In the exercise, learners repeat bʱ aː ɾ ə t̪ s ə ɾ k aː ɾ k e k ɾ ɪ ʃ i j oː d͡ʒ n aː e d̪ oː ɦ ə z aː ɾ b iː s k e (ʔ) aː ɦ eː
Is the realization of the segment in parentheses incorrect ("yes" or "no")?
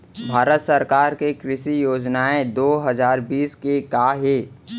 yes